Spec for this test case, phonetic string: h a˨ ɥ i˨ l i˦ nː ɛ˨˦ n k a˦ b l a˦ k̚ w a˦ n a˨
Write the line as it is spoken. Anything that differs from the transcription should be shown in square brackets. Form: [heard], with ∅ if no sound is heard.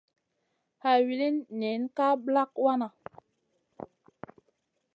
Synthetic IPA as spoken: h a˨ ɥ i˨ l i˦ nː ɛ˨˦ n k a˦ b l a˦ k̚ w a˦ n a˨

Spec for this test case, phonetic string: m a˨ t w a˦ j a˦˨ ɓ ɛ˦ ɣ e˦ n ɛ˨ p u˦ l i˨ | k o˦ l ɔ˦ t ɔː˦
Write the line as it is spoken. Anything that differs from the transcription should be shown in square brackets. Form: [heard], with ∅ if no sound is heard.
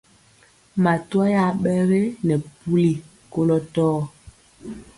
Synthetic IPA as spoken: m a˨ t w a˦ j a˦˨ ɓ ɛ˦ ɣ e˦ n ɛ˨ p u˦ l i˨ | k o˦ l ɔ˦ t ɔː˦

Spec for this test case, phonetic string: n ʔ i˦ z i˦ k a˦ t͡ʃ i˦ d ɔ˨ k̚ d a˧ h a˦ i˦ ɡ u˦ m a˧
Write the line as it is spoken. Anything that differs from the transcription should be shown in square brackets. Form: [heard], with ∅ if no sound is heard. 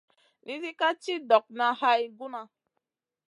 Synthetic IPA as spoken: n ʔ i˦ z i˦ k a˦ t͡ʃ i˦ d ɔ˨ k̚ [n] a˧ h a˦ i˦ ɡ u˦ [n] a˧

